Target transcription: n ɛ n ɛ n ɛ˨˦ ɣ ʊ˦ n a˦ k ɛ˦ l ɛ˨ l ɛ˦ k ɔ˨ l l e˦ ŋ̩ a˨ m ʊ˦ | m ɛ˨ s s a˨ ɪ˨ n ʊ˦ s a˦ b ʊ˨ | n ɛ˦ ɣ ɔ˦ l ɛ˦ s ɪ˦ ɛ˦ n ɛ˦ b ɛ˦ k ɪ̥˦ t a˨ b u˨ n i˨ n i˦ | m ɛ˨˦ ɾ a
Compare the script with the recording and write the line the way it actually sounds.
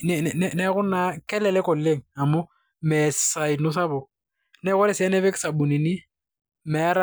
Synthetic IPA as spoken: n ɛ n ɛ n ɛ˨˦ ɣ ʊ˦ n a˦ k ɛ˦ l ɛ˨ l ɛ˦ k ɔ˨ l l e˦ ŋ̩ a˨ m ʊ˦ | m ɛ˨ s s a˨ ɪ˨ n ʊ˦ s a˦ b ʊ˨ | n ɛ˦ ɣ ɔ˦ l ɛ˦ s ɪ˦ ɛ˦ n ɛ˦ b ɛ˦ k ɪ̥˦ s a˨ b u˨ n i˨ n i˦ | m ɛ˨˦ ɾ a